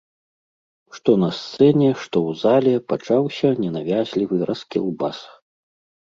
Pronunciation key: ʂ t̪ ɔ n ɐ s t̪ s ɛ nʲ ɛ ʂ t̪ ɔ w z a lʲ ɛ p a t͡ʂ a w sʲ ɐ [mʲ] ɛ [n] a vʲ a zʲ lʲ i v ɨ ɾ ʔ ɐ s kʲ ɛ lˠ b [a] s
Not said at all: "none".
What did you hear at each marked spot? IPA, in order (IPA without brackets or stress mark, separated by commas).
nʲ, n, a